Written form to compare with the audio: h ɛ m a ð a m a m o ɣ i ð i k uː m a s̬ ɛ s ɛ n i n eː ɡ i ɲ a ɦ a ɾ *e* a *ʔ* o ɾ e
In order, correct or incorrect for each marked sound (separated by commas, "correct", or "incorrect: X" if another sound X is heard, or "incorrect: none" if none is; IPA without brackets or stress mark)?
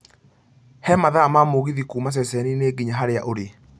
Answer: correct, correct